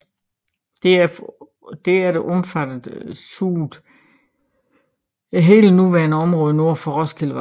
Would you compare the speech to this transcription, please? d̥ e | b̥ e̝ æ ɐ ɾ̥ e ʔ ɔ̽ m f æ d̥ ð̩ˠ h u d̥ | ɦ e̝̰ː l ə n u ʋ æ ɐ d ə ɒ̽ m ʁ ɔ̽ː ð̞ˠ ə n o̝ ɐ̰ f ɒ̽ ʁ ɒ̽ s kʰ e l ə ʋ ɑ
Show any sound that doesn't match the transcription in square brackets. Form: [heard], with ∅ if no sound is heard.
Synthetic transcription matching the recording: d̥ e | [d̥] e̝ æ ɐ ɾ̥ e ʔ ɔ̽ m f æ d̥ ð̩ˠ [s] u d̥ | ɦ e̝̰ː l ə n u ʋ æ ɐ [n] ə ɒ̽ m ʁ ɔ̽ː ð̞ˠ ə n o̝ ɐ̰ f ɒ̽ ʁ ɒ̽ s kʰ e l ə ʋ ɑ

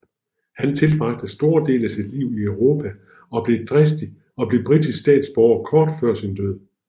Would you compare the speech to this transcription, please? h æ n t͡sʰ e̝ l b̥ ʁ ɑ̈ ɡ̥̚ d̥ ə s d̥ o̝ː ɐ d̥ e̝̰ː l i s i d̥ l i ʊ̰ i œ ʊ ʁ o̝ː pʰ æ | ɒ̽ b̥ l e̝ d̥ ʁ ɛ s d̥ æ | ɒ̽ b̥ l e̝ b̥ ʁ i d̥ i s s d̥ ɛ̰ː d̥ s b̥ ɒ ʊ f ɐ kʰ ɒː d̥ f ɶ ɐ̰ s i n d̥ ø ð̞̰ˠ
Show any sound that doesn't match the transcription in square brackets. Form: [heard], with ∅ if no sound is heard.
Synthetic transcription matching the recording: h æ n t͡sʰ e̝ l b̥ ʁ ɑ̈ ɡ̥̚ d̥ ə s d̥ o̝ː ɐ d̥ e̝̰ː l [æ] s i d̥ l i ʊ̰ i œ ʊ ʁ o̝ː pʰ æ | ɒ̽ b̥ l e̝ d̥ ʁ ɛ s d̥ [i] | ɒ̽ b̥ l e̝ b̥ ʁ i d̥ i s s d̥ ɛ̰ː d̥ s b̥ ɒ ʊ [∅] ɐ kʰ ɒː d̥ f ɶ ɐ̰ s i n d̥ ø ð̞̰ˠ

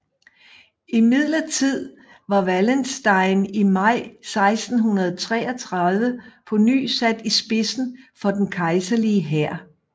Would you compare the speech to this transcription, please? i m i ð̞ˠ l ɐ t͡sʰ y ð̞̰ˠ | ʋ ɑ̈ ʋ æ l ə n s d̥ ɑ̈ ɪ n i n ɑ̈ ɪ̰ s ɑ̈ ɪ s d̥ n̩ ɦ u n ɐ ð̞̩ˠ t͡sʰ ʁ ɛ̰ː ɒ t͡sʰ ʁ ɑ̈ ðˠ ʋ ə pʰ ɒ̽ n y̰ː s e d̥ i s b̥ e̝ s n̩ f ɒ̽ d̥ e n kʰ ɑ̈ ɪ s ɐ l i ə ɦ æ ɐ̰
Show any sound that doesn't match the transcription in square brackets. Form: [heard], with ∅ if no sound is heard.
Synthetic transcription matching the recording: i m i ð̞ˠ l ɐ t͡sʰ [i] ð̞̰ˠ | ʋ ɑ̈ ʋ æ l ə n s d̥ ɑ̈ ɪ n i [m] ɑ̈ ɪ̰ s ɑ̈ ɪ s d̥ n̩ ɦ u n ɐ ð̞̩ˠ t͡sʰ ʁ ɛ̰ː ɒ t͡sʰ ʁ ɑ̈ ðˠ ʋ ə pʰ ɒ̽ n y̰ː s [æ] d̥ i s b̥ e̝ s n̩ f ɒ̽ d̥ e n kʰ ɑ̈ ɪ s ɐ l i ə ɦ æ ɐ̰

